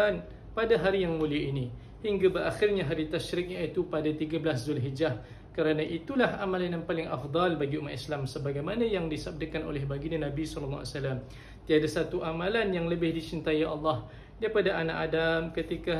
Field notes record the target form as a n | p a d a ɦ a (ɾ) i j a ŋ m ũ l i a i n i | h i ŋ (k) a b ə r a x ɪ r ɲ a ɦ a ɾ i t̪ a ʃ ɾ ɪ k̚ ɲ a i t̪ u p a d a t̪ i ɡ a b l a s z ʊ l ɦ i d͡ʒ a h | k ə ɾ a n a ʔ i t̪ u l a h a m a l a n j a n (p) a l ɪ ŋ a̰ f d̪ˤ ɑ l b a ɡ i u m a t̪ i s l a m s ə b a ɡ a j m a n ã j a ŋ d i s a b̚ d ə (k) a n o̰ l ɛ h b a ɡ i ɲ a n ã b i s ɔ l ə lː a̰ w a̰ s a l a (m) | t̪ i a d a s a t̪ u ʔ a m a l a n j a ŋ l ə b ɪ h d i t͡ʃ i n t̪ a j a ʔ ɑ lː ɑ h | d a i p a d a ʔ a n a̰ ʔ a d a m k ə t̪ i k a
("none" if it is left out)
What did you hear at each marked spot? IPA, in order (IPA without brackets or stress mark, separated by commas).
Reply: ɾ, ɡ, p, k, m